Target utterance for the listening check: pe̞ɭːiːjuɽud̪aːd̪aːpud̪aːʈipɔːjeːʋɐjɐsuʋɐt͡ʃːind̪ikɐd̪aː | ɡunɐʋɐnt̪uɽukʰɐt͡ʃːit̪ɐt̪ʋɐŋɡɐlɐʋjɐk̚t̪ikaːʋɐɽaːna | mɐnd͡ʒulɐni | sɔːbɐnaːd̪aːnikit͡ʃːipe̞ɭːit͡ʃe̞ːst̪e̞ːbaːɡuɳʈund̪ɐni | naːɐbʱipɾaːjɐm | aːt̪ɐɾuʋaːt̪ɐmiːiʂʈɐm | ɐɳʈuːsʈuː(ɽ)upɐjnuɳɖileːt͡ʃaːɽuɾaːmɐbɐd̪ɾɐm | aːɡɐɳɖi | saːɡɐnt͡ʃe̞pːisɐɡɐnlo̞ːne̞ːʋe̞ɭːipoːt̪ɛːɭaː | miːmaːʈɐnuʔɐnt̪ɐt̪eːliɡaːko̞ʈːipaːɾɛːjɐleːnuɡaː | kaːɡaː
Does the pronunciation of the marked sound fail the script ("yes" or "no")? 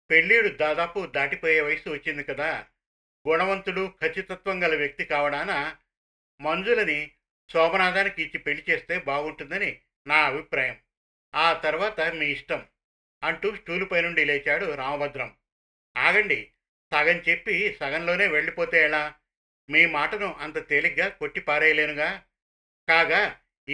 yes